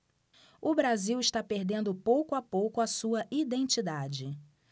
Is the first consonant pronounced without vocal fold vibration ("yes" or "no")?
no